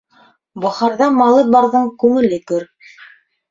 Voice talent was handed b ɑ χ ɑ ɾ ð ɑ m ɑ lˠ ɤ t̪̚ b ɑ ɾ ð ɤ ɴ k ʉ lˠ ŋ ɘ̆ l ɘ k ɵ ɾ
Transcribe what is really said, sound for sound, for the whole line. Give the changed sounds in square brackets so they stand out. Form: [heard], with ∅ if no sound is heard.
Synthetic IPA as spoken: b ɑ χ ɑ ɾ ð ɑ m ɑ lˠ ɤ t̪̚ b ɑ ɾ ð ɤ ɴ k ʉ [∅] ŋ ɘ̆ l ɘ k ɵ ɾ